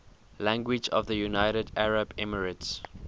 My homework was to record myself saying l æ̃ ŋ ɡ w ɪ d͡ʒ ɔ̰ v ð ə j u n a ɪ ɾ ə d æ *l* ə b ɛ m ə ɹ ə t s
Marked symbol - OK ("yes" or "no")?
no